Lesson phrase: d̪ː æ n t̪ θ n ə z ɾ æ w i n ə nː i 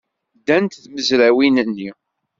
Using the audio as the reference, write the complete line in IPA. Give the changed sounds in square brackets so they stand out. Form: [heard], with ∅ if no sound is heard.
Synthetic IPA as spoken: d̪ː æ n t̪ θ [m] ə z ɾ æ w i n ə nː i